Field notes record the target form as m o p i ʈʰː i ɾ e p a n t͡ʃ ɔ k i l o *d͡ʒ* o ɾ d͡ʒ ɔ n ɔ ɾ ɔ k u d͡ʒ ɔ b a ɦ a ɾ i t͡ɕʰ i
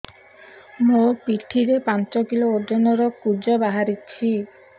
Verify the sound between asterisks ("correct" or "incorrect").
incorrect